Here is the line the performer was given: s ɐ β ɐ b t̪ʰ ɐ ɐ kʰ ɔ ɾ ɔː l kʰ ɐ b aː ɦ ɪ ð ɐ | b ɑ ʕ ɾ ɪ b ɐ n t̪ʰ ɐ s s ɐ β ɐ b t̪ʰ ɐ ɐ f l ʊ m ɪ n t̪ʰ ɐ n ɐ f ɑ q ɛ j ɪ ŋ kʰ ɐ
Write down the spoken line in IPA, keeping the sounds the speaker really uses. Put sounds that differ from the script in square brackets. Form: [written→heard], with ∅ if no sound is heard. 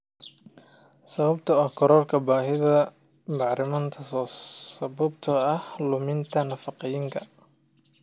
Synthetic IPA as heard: s ɐ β ɐ b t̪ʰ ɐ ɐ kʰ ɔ ɾ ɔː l kʰ ɐ b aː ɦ ɪ ð ɐ | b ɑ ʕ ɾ ɪ [b→m] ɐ n t̪ʰ ɐ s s ɐ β ɐ b t̪ʰ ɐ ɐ [f→h] l ʊ m ɪ n t̪ʰ ɐ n ɐ f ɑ q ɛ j ɪ ŋ kʰ ɐ